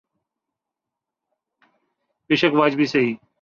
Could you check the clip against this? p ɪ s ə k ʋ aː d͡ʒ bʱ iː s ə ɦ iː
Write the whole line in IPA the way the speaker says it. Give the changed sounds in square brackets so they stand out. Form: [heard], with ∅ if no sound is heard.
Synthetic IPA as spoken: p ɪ [ʃ] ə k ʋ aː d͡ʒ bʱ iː s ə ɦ iː

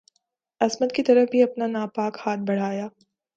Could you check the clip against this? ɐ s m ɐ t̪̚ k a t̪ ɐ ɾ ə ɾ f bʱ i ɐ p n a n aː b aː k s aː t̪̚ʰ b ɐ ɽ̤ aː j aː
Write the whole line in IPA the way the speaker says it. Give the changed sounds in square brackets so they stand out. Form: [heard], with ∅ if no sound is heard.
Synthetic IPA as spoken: ɐ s m [ə] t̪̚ k [i] t̪ ɐ ɾ ə [∅] f bʱ i ɐ p n a n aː [p] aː k [h] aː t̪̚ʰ b ɐ ɽ̤ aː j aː

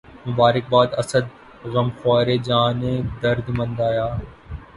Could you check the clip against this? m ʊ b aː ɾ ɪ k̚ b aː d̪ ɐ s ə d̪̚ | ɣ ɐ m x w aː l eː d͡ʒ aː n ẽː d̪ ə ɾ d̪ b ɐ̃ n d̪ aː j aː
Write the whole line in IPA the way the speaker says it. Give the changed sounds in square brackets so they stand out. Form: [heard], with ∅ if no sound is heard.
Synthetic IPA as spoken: m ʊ b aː ɾ ɪ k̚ b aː d̪ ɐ s ə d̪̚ | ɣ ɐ m x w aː [ɾ] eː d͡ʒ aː n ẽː d̪ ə ɾ d̪ [m] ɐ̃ n d̪ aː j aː

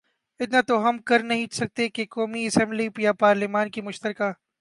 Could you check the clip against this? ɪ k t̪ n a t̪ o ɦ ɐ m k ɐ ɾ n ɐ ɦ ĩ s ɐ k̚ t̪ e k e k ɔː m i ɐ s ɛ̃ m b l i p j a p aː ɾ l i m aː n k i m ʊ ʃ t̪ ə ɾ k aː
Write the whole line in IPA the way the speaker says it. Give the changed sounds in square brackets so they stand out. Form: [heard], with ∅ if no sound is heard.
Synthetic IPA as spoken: ɪ [∅] t̪ n a t̪ o ɦ ɐ m k ɐ ɾ n ɐ ɦ ĩ s ɐ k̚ t̪ e k e k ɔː m i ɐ s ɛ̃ m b l i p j a p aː ɾ l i m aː n k i m ʊ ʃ t̪ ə ɾ k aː

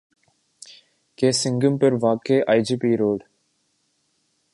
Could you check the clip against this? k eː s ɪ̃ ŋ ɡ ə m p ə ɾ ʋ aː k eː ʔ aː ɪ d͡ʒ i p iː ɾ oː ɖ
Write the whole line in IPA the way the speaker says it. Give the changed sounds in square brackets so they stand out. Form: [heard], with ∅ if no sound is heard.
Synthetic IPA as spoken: k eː s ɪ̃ ŋ ɡ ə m p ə ɾ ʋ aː k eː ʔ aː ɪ d͡ʒ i p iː ɾ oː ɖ

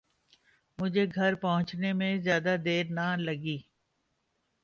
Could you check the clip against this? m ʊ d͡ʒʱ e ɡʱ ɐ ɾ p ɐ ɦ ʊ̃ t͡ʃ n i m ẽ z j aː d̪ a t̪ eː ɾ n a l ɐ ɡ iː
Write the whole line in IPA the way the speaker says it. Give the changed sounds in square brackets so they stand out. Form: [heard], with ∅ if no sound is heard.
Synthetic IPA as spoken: m ʊ d͡ʒʱ e ɡʱ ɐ ɾ p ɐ ɦ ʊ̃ t͡ʃ n [e] m ẽ z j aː d̪ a [d̪] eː ɾ n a l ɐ ɡ iː

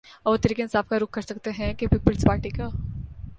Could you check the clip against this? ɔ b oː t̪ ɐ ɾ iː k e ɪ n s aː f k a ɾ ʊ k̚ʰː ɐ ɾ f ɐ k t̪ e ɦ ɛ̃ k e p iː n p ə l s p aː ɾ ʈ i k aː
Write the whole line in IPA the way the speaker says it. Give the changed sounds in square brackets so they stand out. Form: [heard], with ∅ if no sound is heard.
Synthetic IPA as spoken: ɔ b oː t̪ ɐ ɾ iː k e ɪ n s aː f k a ɾ ʊ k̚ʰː ɐ ɾ [s] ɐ k t̪ e ɦ ɛ̃ k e p iː [∅] p ə l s p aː ɾ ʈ i k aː

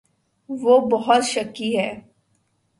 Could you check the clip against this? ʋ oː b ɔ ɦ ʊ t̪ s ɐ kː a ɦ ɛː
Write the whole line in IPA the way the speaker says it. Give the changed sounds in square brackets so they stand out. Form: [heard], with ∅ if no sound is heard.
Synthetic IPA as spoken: ʋ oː b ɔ ɦ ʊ t̪ [ʃ] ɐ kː [i] ɦ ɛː

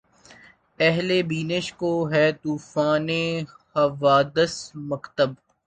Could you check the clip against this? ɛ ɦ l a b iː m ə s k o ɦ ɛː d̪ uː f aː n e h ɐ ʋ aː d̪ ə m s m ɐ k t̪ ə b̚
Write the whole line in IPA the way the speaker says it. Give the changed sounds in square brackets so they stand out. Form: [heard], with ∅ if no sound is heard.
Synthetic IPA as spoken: ɛ ɦ l [e] b iː [n] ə [ʃ] k o ɦ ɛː [t̪] uː f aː n e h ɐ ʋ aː d̪ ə [∅] s m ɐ k t̪ ə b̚

